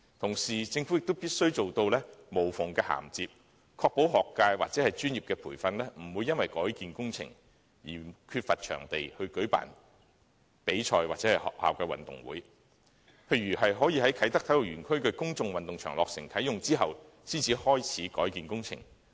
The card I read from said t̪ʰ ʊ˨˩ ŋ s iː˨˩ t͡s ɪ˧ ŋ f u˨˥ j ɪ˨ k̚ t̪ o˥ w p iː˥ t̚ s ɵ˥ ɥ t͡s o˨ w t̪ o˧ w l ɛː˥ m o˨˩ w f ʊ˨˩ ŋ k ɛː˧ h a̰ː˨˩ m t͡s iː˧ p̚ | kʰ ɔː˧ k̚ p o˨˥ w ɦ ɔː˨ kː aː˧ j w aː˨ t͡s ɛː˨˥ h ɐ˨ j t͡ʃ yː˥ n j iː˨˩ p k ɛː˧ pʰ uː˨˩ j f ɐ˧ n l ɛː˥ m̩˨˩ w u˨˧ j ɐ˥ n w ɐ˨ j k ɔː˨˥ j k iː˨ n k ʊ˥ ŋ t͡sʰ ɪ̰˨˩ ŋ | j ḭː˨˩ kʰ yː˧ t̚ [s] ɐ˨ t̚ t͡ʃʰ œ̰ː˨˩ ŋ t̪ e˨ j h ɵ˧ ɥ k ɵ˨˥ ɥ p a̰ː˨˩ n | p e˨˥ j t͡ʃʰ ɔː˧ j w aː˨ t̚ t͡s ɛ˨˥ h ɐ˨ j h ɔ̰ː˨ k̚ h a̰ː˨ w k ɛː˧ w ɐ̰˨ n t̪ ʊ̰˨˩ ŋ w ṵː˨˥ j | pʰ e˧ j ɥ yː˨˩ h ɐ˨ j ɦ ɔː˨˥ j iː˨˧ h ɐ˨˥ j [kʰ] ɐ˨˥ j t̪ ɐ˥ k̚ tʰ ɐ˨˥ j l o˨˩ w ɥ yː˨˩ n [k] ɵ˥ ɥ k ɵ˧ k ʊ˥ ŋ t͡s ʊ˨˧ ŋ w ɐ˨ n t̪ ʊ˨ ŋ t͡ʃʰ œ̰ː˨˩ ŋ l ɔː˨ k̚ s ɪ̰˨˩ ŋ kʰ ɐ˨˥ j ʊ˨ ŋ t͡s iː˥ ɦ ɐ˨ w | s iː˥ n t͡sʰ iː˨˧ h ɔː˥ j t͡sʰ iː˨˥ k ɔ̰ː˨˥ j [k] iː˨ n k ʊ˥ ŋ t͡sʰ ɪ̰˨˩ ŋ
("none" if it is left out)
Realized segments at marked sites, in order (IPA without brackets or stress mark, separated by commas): f, kʰ, kʰ, k